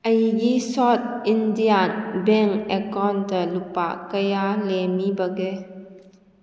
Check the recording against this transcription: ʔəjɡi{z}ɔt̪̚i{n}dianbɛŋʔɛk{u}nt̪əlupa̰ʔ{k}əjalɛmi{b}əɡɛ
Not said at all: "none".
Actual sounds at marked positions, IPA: s, n, ɔ, k, b

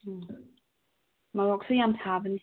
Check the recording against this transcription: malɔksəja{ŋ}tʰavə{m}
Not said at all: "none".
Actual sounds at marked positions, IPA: m, n

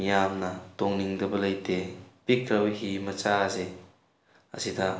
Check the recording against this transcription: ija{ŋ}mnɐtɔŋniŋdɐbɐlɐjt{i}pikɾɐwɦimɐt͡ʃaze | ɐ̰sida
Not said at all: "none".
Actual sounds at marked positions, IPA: none, e

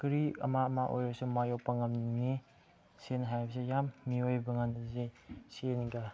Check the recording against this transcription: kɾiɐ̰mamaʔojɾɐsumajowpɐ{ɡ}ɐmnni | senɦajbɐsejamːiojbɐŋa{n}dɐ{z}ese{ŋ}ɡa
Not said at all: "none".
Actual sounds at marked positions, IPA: ŋ, n, z, n

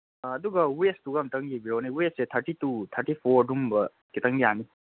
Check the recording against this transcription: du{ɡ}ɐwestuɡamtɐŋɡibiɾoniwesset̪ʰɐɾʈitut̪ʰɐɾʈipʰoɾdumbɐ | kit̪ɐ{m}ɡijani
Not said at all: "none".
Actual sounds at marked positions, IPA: ɡ, ŋ

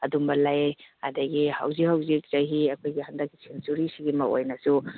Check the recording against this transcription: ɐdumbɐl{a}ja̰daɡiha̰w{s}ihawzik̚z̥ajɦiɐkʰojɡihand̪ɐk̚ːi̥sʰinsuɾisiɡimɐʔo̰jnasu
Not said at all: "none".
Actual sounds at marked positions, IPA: a, z

